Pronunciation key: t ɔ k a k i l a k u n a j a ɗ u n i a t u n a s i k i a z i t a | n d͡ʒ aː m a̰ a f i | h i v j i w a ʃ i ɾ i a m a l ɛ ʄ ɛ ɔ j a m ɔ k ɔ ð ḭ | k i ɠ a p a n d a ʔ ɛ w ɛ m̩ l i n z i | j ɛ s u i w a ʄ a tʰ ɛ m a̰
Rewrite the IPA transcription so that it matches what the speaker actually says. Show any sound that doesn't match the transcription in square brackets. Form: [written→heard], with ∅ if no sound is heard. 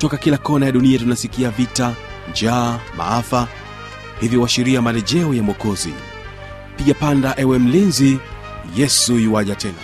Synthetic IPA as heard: t ɔ k a k i l a k [u→ɔ] n a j a ɗ u n i a t u n a s i k i a [z→v] i t a | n d͡ʒ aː m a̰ a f [i→a] | h i v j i w a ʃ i ɾ i a m a l ɛ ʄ ɛ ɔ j a m ɔ k ɔ [ð→z] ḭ | [k→p] i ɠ a p a n d a ʔ ɛ w ɛ m̩ l i n z i | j ɛ s u i w a ʄ a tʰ ɛ [m→n] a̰